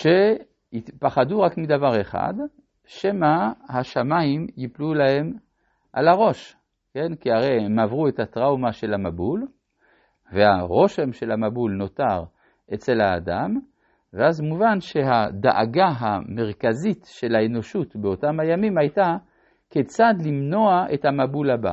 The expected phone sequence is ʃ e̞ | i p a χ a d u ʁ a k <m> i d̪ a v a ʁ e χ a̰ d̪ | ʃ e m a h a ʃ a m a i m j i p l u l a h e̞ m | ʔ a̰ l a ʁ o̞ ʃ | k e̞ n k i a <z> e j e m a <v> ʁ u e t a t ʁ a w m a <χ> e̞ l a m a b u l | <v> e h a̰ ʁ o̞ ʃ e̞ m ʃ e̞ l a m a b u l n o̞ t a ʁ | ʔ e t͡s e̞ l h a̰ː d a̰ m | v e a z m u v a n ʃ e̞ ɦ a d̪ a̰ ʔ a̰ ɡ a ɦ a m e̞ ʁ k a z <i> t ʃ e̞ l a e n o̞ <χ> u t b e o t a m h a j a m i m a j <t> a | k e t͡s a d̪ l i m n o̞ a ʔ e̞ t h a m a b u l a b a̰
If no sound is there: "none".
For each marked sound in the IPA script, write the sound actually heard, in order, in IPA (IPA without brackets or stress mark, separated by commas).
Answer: m, ʁ, v, ʃ, v, i, ʃ, t